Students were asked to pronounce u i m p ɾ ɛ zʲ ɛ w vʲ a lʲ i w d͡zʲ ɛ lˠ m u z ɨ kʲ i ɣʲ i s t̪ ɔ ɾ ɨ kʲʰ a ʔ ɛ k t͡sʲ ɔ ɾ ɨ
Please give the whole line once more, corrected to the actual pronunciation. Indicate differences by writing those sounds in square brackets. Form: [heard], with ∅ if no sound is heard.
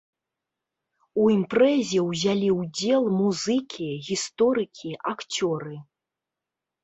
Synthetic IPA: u i m p ɾ ɛ zʲ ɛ w [zʲ] a lʲ i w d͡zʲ ɛ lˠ m u z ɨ kʲ i ɣʲ i s t̪ ɔ ɾ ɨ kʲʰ [i] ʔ [a] k t͡sʲ ɔ ɾ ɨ